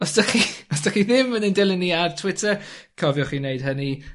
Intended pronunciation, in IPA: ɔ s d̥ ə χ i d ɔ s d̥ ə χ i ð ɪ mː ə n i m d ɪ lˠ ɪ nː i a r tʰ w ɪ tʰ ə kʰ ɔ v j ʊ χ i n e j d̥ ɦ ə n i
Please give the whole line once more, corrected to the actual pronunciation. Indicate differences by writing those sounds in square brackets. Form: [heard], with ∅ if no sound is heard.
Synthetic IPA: ɔ s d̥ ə χ i [∅] ɔ s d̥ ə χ i ð ɪ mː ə n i [n] d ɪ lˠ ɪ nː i a r tʰ w ɪ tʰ ə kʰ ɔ v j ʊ χ i n e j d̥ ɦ ə n i